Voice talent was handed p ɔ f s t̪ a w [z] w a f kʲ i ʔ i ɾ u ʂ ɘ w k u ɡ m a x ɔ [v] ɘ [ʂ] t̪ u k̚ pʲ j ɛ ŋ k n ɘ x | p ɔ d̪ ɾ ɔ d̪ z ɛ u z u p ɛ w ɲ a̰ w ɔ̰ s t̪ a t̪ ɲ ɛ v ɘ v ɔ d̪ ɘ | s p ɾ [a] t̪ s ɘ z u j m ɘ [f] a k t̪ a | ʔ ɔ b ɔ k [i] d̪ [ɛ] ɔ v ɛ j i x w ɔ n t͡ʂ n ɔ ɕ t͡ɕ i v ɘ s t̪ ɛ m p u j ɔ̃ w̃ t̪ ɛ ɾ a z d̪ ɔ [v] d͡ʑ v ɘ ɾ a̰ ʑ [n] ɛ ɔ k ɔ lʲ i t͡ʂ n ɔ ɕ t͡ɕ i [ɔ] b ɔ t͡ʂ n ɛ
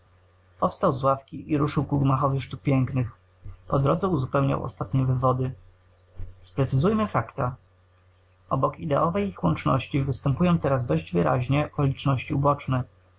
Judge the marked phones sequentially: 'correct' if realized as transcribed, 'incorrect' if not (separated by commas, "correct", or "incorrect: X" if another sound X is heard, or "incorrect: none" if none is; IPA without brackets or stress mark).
correct, correct, correct, incorrect: ɛ, correct, correct, correct, incorrect: ʑ, incorrect: ɲ, incorrect: u